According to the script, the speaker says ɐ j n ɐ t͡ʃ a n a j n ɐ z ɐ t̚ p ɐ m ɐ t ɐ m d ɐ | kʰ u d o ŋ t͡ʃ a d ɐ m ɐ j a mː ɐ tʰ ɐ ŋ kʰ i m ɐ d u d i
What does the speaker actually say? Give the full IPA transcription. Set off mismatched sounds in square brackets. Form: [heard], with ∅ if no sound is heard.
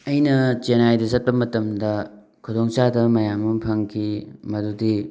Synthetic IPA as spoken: ɐ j n ɐ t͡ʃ [e] n a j [d] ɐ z ɐ t̚ p ɐ m ɐ t ɐ m d ɐ | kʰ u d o ŋ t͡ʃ a d ɐ m ɐ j a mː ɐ [pʰ] ɐ ŋ kʰ i m ɐ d u d i